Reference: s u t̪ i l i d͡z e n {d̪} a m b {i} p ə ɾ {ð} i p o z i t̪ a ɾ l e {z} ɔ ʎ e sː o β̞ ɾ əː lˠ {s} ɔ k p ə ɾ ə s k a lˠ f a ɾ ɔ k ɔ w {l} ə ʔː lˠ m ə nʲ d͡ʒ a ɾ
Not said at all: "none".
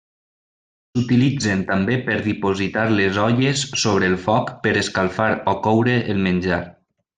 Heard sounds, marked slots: t̪, e, ð, z, f, ɾ

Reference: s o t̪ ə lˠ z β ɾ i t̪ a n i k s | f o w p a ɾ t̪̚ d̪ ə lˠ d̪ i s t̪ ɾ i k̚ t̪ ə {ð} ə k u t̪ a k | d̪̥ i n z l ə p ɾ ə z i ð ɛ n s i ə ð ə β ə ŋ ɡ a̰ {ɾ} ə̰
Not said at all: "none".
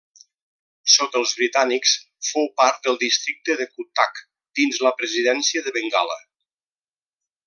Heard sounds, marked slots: ð, l

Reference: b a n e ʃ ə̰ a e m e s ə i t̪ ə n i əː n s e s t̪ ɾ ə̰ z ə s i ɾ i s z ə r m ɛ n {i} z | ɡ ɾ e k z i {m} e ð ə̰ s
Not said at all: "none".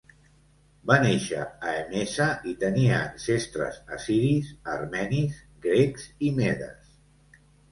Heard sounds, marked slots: i, m

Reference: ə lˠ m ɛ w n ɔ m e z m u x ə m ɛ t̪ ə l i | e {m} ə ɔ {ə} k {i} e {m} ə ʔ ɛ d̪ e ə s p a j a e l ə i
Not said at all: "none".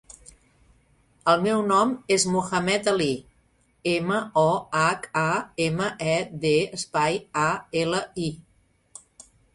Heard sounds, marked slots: m, a, a, m

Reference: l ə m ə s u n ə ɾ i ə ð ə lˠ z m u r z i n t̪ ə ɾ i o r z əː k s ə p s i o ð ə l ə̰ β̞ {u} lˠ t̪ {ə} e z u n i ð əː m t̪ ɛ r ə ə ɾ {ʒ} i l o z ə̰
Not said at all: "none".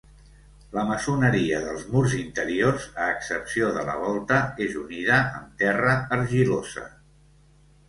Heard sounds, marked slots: ɔ, ə, ʒ

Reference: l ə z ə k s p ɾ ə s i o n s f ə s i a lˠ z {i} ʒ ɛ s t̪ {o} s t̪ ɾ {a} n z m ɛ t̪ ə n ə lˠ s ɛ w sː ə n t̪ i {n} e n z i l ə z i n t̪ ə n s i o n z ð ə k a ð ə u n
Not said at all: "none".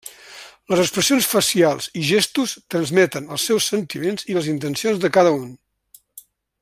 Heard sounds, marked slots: i, u, ə, m

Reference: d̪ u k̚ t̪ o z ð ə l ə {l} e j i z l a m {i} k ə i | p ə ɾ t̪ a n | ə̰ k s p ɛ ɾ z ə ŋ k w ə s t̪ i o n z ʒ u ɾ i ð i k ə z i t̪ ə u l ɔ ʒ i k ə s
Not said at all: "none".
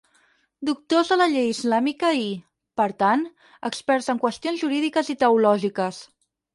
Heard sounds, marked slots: ʎ, i

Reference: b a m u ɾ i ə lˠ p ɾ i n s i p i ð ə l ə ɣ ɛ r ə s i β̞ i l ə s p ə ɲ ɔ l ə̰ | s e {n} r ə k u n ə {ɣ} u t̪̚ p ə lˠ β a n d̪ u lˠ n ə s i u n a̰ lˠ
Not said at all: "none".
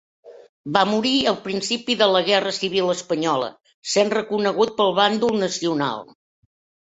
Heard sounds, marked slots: n, ɣ

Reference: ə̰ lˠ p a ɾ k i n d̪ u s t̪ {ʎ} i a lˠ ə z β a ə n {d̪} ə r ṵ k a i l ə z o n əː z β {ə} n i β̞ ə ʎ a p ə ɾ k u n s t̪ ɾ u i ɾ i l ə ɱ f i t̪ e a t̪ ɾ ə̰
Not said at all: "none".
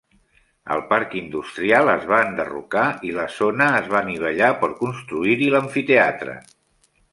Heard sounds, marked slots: ɾ, d̪, a

